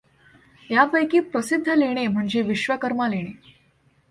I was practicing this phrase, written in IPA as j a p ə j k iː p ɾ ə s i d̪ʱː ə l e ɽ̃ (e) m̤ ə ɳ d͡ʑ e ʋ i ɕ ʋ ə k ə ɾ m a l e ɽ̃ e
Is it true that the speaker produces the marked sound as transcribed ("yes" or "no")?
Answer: yes